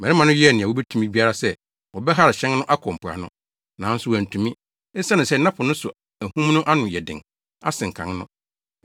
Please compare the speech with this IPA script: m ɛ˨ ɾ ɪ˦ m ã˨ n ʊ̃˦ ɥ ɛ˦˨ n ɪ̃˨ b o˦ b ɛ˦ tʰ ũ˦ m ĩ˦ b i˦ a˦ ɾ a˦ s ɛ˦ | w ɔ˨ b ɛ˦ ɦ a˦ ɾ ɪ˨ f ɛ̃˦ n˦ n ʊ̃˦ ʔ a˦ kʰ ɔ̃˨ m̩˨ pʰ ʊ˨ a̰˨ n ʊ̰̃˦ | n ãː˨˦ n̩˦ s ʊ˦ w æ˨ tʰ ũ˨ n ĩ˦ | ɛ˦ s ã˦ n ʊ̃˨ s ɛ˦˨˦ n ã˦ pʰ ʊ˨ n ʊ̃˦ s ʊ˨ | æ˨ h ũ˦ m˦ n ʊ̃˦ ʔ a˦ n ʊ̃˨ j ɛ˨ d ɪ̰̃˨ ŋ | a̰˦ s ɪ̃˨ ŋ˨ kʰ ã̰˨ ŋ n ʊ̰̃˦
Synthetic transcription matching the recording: m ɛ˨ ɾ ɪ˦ m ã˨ n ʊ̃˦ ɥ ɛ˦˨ n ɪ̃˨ w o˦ b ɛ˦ tʰ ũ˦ m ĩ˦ b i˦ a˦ ɾ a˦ s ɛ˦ | w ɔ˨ b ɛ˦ ɦ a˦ ɾ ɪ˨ ɕ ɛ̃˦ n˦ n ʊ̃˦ ʔ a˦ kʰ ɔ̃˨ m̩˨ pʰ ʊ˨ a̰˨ n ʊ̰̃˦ | n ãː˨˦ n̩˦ s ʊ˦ w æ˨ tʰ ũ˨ m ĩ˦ | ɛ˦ s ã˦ n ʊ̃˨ s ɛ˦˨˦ n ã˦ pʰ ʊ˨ n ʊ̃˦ s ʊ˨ | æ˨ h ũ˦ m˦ n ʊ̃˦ ʔ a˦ n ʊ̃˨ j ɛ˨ d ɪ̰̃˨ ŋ | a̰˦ s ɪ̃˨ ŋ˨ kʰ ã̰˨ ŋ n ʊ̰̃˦